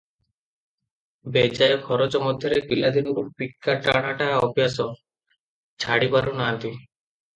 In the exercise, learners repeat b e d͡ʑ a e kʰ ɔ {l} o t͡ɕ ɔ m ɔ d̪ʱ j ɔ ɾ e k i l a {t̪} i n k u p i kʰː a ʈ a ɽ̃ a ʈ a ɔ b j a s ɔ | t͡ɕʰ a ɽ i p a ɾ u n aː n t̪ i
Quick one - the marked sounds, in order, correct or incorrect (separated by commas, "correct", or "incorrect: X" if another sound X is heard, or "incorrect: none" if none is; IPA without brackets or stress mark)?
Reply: incorrect: ɾ, incorrect: d̪